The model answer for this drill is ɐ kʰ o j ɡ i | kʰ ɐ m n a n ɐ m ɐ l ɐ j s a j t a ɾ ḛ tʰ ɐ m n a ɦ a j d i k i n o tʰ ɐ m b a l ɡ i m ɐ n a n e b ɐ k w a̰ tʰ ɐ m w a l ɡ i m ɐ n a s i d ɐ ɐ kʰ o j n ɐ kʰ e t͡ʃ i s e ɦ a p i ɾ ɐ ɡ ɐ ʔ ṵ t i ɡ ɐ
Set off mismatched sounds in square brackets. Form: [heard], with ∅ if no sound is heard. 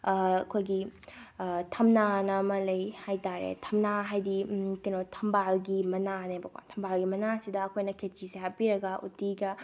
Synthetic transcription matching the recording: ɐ kʰ o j ɡ i | [tʰ] ɐ m n a n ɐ m ɐ l ɐ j [h] a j t a ɾ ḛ tʰ ɐ m n a ɦ a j d i k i n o tʰ ɐ m b a l ɡ i m ɐ n a n e b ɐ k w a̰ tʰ ɐ m [b] a l ɡ i m ɐ n a s i d ɐ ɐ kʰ o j n ɐ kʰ e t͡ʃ i s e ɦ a p i ɾ ɐ ɡ ɐ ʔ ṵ t i ɡ ɐ